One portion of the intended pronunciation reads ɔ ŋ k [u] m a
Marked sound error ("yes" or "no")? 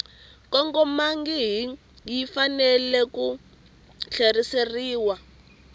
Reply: yes